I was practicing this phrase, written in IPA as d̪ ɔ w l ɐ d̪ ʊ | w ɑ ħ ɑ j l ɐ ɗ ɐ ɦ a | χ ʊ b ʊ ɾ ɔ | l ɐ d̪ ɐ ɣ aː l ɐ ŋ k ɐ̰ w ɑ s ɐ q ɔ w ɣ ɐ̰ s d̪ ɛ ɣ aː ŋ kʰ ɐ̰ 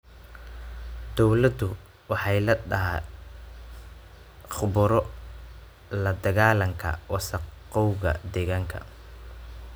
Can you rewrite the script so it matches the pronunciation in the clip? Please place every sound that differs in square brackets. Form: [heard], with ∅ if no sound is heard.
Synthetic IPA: d̪ ɔ w l ɐ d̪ ʊ | w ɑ ħ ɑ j l ɐ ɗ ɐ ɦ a | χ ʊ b ʊ ɾ ɔ | l ɐ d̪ ɐ ɣ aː l ɐ ŋ [kʰ] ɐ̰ w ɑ s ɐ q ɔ w ɣ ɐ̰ [∅] d̪ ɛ ɣ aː ŋ kʰ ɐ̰